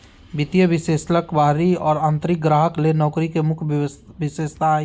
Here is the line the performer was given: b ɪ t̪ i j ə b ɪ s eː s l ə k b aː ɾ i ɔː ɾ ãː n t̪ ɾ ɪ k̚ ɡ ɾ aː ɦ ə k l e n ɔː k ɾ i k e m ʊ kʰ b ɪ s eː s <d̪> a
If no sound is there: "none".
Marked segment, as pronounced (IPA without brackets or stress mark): t̪